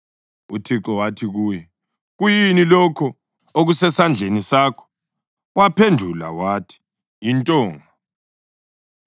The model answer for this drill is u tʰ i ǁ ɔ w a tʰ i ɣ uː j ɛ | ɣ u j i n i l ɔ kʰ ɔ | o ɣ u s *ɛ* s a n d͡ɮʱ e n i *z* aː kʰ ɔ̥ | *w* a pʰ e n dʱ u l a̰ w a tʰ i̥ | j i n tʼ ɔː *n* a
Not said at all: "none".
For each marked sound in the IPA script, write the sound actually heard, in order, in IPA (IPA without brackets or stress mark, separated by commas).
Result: ɛ, s, w, ŋ